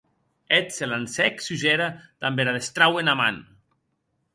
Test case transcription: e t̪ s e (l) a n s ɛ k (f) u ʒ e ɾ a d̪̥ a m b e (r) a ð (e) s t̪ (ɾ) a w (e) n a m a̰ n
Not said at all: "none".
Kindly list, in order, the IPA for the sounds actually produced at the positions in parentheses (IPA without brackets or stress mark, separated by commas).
l, s, ɾ, e, ɾ, e